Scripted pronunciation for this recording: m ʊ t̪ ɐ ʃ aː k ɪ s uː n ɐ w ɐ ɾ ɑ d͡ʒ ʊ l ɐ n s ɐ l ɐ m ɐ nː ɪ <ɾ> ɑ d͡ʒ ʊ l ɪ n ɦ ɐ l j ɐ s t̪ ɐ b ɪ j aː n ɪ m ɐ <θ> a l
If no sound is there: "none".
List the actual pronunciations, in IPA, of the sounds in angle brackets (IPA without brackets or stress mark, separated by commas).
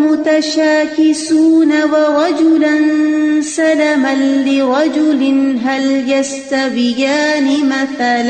ɾ, θ